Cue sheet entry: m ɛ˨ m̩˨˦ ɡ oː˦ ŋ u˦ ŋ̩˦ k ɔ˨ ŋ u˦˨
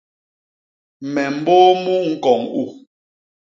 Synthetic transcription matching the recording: m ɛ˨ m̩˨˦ b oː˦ m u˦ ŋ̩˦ k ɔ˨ ŋ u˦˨